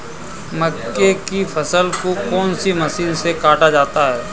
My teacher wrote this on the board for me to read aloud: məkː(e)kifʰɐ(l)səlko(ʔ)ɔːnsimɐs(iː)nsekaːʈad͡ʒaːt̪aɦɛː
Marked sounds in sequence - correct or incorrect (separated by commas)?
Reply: correct, incorrect, incorrect, correct